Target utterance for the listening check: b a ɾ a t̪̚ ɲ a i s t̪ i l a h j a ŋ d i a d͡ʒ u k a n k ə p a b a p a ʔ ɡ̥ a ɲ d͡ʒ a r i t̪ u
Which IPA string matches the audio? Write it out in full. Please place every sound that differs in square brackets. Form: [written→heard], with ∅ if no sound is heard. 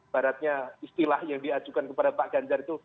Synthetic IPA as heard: b a ɾ a t̪̚ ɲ a i s t̪ i l a h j a ŋ d i a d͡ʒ u k a n k ə p a [b→d] a p a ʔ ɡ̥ a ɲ d͡ʒ a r i t̪ u